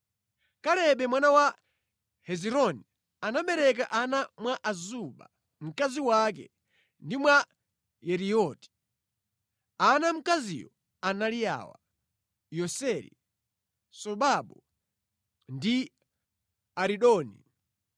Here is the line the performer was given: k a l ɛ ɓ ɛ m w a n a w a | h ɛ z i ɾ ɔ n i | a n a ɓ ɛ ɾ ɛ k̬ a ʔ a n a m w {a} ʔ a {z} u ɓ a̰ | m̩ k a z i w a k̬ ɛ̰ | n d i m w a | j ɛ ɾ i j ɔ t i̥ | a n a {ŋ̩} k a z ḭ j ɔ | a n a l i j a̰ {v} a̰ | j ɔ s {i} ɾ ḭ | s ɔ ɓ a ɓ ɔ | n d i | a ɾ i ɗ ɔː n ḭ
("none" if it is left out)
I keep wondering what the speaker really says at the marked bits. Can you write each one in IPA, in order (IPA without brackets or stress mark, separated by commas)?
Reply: a, z, m̩, w, ɛ